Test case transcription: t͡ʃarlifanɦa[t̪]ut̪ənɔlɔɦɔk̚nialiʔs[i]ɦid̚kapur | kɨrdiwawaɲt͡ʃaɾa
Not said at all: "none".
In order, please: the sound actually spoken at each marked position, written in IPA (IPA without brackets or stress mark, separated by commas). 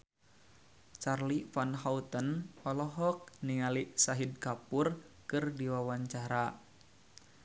none, a